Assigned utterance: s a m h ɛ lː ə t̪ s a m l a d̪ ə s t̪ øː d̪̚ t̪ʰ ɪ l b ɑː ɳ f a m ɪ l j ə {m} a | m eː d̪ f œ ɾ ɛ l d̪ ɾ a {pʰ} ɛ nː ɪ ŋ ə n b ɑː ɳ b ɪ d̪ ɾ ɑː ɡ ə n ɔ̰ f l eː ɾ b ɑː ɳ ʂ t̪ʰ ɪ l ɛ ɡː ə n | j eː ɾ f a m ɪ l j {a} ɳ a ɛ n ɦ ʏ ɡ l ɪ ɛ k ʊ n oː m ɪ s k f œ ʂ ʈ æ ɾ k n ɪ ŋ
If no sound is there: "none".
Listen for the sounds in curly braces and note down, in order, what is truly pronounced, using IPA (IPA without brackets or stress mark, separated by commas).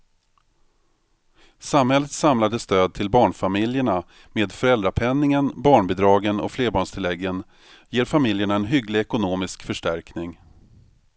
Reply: ɳ, pʰ, ə